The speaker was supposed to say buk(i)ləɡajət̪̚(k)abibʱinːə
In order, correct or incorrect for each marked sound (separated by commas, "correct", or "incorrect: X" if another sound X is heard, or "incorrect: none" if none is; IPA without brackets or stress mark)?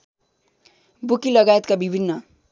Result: correct, correct